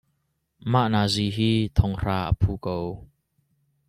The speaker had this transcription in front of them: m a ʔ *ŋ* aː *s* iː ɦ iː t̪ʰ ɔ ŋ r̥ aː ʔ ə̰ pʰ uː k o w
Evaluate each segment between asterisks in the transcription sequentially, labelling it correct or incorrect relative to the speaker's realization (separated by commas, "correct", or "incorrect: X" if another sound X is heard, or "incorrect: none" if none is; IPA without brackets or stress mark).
incorrect: n, incorrect: z